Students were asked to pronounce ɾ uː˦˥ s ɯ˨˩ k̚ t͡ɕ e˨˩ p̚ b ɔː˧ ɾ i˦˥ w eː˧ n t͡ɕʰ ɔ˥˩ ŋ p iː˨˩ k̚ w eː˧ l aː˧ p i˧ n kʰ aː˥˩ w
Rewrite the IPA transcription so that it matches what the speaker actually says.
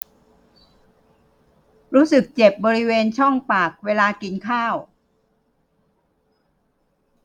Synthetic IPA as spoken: ɾ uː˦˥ s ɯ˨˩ k̚ t͡ɕ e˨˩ p̚ b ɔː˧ ɾ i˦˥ w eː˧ n t͡ɕʰ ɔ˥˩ ŋ p aː˨˩ k̚ w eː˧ l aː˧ k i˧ n kʰ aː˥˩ w

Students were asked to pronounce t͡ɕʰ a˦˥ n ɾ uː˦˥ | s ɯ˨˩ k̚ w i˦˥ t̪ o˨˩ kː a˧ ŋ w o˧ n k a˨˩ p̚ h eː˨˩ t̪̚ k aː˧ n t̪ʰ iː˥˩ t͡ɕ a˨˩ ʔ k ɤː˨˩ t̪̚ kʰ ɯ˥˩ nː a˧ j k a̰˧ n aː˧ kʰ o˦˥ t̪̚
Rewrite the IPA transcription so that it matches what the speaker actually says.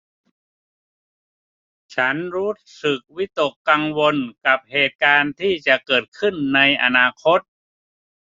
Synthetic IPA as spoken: t͡ɕʰ a˦˥ n ɾ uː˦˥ | s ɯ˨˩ k̚ w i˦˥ t̪ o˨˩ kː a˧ ŋ w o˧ n k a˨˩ p̚ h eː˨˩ t̪̚ k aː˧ n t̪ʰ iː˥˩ t͡ɕ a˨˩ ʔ k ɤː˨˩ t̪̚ kʰ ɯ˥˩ nː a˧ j ʔ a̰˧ n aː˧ kʰ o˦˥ t̪̚

